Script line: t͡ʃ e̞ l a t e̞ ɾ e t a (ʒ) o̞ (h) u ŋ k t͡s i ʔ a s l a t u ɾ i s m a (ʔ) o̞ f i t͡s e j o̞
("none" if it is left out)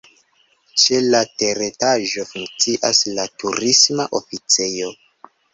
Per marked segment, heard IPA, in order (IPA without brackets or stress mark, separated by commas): ʒ, f, ʔ